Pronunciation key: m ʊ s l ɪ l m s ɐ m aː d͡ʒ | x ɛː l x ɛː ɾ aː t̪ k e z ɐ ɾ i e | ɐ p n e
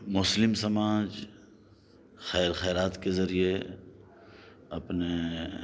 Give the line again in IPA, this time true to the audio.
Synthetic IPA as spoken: m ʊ s l ɪ m s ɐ m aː d͡ʒ | x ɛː ɾ x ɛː ɾ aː t̪ k e z ɐ ɾ i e | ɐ p n e